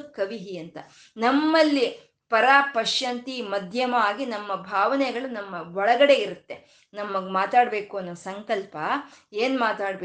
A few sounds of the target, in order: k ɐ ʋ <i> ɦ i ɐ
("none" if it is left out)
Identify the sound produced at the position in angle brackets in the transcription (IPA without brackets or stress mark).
i